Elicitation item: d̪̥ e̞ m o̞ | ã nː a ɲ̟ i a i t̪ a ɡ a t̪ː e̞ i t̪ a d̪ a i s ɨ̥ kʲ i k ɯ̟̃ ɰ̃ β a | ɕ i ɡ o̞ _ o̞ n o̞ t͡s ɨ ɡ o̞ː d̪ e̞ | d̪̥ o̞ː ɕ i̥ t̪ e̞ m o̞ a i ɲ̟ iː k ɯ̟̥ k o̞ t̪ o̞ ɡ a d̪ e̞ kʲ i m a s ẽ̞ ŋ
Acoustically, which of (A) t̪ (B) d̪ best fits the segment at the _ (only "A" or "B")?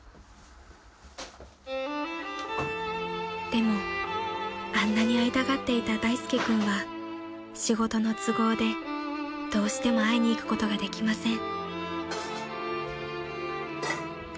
A